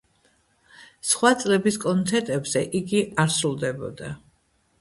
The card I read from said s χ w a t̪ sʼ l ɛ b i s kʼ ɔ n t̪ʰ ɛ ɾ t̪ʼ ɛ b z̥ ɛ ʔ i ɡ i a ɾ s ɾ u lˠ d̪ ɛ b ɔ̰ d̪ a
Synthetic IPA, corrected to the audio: s χ w a t̪ sʼ l ɛ b i s kʼ ɔ n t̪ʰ ɛ ɾ t̪ʼ ɛ b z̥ ɛ ʔ i ɡ i a ɾ s ɾ u lˠ d̪ ɛ b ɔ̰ d̪ a

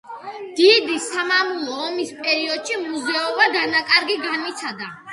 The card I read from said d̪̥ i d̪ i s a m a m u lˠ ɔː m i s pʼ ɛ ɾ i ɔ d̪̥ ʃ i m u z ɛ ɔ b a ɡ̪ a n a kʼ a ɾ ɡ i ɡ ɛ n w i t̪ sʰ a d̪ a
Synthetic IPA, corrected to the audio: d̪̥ i d̪ i s a m a m u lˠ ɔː m i s pʼ ɛ ɾ i ɔ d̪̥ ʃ i m u z ɛ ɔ b a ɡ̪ a n a kʼ a ɾ ɡ i ɡ a n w i t̪ sʰ a d̪ a

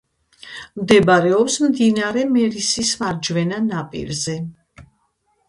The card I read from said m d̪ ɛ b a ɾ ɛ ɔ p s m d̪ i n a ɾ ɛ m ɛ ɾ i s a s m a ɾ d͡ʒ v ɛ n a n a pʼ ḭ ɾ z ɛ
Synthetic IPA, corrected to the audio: m d̪ ɛ b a ɾ ɛ ɔ p s m d̪ i n a ɾ ɛ m ɛ ɾ i s i s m a ɾ d͡ʒ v ɛ n a n a pʼ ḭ ɾ z ɛ

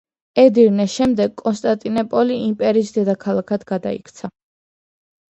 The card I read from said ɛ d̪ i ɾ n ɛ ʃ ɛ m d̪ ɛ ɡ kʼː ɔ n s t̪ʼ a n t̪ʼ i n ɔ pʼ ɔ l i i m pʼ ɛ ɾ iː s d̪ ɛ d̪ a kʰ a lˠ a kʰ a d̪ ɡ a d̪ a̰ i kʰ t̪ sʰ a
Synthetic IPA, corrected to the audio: ɛ d̪ i ɾ n ɛ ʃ ɛ m d̪ ɛ ɡ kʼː ɔ n s t̪ʼ a n t̪ʼ i n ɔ pʼ ɔ l i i m pʼ ɛ ɾ iː s d̪ ɛ d̪ a kʰ a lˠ a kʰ a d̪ ɡ a d̪ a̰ i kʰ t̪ sʰ a

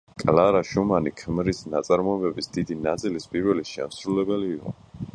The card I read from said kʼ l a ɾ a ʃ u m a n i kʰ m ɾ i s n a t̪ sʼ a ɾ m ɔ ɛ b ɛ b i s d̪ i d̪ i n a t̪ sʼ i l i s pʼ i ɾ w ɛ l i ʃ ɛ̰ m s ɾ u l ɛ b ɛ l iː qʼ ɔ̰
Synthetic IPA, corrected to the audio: kʼ l a ɾ a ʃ u m a n i kʰ m ɾ i s n a t̪ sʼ a ɾ m ɔ ɛ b ɛ b i s d̪ i d̪ i n a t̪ sʼ i l i s pʼ i ɾ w ɛ l i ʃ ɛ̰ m s ɾ u l ɛ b ɛ l iː qʼ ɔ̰

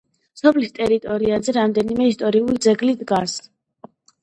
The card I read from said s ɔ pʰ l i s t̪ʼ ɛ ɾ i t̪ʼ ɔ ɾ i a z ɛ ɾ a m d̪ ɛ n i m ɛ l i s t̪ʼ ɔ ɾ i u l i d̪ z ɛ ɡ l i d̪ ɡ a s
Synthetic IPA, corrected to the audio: s ɔ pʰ l i s t̪ʼ ɛ ɾ i t̪ʼ ɔ ɾ i a z ɛ ɾ a m d̪ ɛ n i m ɛ i s t̪ʼ ɔ ɾ i u l i d̪ z ɛ ɡ l i d̪ ɡ a s

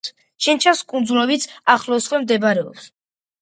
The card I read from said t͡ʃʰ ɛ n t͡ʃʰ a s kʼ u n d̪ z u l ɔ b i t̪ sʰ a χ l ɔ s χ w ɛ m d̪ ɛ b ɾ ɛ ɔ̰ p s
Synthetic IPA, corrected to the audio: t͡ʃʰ ɛ n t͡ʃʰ a s kʼ u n d̪ z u l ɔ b i t̪ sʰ a χ l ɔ s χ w ɛ m d̪ ɛ b ɾ ɛ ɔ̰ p s

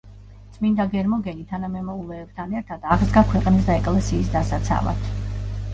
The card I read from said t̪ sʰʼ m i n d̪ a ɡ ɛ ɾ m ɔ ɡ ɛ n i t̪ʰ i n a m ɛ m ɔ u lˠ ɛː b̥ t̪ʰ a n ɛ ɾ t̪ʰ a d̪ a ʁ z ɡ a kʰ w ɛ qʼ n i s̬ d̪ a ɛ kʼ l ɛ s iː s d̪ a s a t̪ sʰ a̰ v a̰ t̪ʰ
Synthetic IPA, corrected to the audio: t̪ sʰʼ m i n d̪ a ɡ ɛ ɾ m ɔ ɡ ɛ n i t̪ʰ a n a m ɛ m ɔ u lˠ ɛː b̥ t̪ʰ a n ɛ ɾ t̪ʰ a d̪ a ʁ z ɡ a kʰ w ɛ qʼ n i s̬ d̪ a ɛ kʼ l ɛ s iː s d̪ a s a t̪ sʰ a̰ v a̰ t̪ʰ

